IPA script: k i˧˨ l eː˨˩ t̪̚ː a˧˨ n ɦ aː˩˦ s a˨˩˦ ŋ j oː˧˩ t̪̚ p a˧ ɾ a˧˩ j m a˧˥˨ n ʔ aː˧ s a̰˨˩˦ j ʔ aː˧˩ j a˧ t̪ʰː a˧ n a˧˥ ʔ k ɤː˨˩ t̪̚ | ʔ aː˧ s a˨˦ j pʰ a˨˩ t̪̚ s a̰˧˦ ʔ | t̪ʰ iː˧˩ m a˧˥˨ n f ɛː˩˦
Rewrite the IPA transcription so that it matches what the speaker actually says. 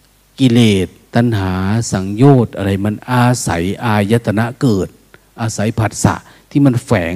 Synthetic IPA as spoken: k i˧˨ l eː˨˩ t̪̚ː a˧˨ n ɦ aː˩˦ s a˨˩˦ ŋ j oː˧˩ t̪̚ ʔ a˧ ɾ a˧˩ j m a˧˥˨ n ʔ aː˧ s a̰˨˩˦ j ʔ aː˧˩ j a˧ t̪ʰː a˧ n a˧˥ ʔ k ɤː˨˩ t̪̚ | ʔ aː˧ s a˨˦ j pʰ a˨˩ t̪̚ s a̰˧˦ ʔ | t̪ʰ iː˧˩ m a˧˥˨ n f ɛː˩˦